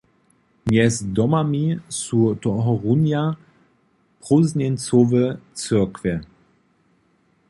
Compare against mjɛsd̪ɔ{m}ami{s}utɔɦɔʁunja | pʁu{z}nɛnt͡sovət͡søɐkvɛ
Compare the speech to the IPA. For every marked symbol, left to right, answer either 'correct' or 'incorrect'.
correct, correct, correct

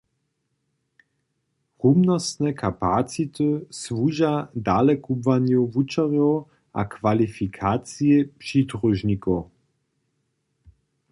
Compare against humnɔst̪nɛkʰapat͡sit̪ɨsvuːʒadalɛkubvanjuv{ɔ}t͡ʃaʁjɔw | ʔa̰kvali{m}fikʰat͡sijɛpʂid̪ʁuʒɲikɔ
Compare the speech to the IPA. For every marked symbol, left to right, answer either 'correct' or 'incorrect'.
incorrect: u, incorrect: none

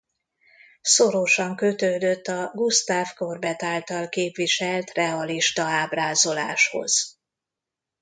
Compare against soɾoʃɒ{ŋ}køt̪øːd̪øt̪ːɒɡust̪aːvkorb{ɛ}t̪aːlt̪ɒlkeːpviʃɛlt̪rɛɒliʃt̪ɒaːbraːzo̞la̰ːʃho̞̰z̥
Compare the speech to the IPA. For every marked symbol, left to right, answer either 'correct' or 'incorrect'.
correct, correct

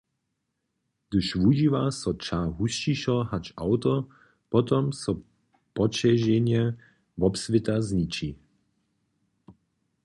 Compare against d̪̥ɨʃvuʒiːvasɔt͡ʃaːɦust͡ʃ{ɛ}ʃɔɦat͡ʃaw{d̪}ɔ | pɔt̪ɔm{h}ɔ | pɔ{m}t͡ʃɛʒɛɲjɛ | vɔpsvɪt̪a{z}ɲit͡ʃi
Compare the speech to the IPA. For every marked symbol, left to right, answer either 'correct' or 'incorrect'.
incorrect: i, incorrect: t̪, incorrect: s, incorrect: none, correct

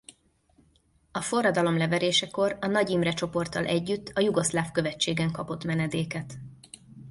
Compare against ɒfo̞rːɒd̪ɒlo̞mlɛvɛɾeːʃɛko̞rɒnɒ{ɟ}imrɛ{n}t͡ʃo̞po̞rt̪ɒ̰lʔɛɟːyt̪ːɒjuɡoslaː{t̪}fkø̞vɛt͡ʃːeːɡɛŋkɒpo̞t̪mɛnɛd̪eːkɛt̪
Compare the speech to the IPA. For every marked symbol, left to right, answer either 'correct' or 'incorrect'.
correct, incorrect: none, incorrect: none

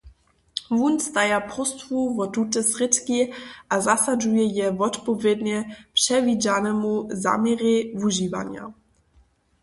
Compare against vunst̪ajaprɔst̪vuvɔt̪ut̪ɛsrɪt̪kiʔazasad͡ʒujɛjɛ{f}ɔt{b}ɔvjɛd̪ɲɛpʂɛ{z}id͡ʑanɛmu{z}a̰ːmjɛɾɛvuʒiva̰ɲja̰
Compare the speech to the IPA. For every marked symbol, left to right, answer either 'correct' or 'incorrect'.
incorrect: v, incorrect: p, incorrect: v, correct

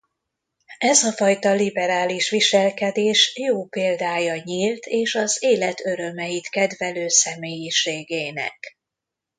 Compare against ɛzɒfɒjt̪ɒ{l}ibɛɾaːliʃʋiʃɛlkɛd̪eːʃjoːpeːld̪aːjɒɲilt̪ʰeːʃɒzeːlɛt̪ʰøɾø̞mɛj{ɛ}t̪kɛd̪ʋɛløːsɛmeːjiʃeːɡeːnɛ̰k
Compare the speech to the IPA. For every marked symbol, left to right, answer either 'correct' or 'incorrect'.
correct, incorrect: i

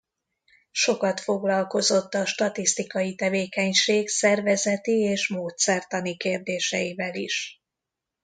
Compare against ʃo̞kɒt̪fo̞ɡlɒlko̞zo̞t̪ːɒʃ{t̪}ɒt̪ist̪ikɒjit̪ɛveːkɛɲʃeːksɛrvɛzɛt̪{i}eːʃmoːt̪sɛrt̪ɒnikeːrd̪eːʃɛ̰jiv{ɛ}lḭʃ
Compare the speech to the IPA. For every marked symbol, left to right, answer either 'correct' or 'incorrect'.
correct, correct, correct

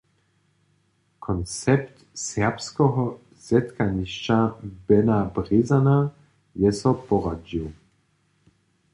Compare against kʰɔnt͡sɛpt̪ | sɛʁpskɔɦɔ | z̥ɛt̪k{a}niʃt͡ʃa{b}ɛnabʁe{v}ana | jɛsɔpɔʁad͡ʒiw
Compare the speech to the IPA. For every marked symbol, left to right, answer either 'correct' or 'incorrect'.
correct, correct, incorrect: z

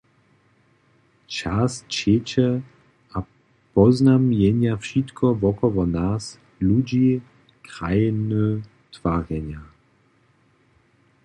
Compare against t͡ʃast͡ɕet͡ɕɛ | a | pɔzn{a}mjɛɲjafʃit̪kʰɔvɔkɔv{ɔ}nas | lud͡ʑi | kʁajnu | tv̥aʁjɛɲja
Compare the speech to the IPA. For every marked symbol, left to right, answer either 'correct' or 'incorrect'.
correct, correct

